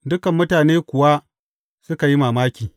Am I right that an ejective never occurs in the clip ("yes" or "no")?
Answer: yes